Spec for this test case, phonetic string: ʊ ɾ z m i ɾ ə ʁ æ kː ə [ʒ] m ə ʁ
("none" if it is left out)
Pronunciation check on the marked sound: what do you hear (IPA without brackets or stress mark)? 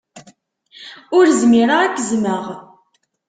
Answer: z